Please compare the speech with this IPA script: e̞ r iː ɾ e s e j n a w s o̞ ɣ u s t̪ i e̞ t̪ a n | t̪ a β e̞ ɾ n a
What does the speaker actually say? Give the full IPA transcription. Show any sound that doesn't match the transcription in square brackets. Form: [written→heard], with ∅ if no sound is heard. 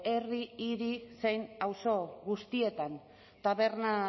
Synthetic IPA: e̞ r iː ɾ [e→i] s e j n a w s o̞ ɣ u s t̪ i e̞ t̪ a n | t̪ a β e̞ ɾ n a

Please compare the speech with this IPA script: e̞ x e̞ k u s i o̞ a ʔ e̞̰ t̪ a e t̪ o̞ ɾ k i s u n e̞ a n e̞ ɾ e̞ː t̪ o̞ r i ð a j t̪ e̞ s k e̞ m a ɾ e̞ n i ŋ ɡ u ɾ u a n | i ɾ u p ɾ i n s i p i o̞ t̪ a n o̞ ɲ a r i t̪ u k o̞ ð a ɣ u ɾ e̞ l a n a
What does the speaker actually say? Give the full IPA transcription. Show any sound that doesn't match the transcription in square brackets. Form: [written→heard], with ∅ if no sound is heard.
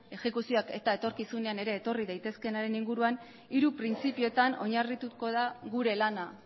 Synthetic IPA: e̞ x e̞ k u s i o̞ a [ʔ→k] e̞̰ t̪ a e t̪ o̞ ɾ k i s u n e̞ a n e̞ ɾ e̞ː t̪ o̞ r i ð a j t̪ e̞ s k e̞ [m→n] a ɾ e̞ n i ŋ ɡ u ɾ u a n | i ɾ u p ɾ i n [s→t͡s] i p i o̞ t̪ a n o̞ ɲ a r i t̪ u k o̞ ð a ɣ u ɾ e̞ l a n a

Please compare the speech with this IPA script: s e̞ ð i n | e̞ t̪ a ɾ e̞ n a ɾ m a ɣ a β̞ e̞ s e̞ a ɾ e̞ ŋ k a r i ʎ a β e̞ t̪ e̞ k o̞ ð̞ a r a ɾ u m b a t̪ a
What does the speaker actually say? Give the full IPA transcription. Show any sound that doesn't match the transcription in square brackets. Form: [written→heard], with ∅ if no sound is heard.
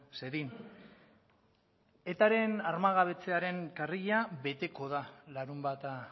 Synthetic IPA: s e̞ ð i n | e̞ t̪ a ɾ e̞ n a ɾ m a ɣ a β̞ e̞ [s→t͡s] e̞ a ɾ e̞ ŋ k a r i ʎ a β e̞ t̪ e̞ k o̞ ð̞ a [r→l] a ɾ u m b a t̪ a

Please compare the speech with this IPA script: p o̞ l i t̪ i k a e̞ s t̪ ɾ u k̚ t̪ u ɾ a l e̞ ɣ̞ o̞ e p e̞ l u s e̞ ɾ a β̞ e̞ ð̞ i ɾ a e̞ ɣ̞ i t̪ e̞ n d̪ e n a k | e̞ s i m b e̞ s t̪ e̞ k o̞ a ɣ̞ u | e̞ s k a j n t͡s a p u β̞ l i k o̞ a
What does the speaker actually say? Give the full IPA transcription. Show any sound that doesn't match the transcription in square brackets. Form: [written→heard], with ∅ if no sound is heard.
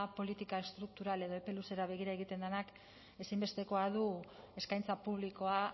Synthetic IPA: p o̞ l i t̪ i k a e̞ s t̪ ɾ u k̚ t̪ u ɾ a l e̞ [ɣ̞→ð̞] o̞ e p e̞ l u s e̞ ɾ a β̞ e̞ [ð̞→ɣ̞] i ɾ a e̞ ɣ̞ i t̪ e̞ n d̪ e n a k | e̞ s i m b e̞ s t̪ e̞ k o̞ a [ɣ̞→ð̞] u | e̞ s k a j n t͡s a p u β̞ l i k o̞ a

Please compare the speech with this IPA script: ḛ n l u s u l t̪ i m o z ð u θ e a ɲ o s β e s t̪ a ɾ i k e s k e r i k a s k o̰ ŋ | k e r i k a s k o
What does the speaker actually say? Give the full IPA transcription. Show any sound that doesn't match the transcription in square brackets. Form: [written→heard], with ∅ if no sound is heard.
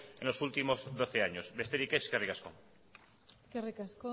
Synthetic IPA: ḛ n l [u→o] s u l t̪ i m o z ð [u→o] θ e a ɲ o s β e s t̪ [a→e] ɾ i k e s k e r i k a s k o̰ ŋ | k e r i k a s k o

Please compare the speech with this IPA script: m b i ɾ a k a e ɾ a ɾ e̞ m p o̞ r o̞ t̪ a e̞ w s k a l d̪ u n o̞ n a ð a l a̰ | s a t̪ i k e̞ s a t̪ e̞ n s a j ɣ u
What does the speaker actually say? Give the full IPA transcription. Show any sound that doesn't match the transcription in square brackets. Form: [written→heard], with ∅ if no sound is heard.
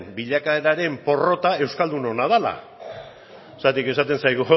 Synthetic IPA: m b i [ɾ→ʎ] a k a e ɾ a ɾ e̞ m p o̞ r o̞ t̪ a e̞ w s k a l d̪ u n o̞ n a ð a l a̰ | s a t̪ i k e̞ s a t̪ e̞ n s a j ɣ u

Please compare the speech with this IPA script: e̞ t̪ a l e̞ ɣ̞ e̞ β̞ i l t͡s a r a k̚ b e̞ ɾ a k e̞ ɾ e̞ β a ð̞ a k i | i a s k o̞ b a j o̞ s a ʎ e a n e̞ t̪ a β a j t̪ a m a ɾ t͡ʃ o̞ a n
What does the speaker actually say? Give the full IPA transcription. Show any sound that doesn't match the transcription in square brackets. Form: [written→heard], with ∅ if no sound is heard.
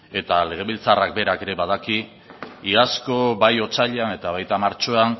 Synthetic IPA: e̞ t̪ a l e̞ ɣ̞ e̞ β̞ i l t͡s a r a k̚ b e̞ ɾ a k e̞ ɾ e̞ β a ð̞ a k i | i a s k o̞ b a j o̞ [s→t͡s] a ʎ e a n e̞ t̪ a β a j t̪ a m a ɾ t͡ʃ o̞ a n

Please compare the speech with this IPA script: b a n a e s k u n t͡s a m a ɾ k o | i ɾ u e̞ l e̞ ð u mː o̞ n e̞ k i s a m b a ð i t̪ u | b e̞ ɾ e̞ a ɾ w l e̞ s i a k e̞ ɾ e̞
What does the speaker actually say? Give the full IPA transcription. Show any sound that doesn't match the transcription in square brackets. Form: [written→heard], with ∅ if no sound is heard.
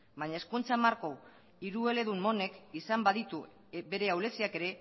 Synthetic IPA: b a [n→ɲ] a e s k u n t͡s a m a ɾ k o | i ɾ u e̞ l e̞ ð u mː o̞ n e̞ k i s a m b a ð i t̪ u | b e̞ ɾ e̞ a [ɾ→∅] w l e̞ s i a k e̞ ɾ e̞

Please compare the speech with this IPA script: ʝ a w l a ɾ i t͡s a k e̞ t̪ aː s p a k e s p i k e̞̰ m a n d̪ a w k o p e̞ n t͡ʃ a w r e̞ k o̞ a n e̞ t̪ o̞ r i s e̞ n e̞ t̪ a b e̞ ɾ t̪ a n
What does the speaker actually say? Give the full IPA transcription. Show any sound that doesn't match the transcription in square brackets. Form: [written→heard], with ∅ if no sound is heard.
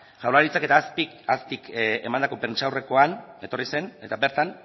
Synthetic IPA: ʝ a w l a ɾ i t͡s a k e̞ t̪ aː s p [a→i] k [e→a] s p i k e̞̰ m a n d̪ a [w→∅] k o p e̞ n t͡ʃ a w r e̞ k o̞ a n e̞ t̪ o̞ r i s e̞ n e̞ t̪ a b e̞ ɾ t̪ a n

